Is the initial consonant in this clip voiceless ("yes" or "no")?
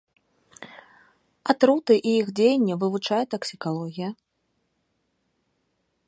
yes